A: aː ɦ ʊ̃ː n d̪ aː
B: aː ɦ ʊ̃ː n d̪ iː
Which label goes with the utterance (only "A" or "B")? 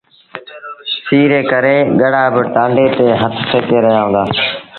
A